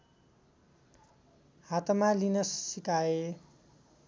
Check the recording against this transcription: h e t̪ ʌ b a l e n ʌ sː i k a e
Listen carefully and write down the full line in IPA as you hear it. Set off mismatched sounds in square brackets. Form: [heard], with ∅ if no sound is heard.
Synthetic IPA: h [a] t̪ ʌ [m] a l [i] n ʌ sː i k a e